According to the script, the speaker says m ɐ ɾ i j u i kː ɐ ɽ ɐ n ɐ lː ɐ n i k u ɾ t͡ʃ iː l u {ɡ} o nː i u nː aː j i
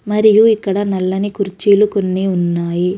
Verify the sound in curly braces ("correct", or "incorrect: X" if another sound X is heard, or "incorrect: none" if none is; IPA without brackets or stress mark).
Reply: incorrect: k